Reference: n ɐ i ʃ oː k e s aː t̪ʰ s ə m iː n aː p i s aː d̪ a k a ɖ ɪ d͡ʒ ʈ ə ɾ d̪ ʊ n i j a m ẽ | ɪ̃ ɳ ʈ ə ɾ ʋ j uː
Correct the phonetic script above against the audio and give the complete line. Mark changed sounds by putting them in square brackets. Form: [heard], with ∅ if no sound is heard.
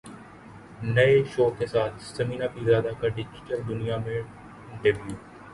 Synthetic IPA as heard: n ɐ [e] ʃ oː k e s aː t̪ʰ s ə m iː n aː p i [z] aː d̪ a k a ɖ ɪ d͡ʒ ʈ ə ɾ d̪ ʊ n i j a m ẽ | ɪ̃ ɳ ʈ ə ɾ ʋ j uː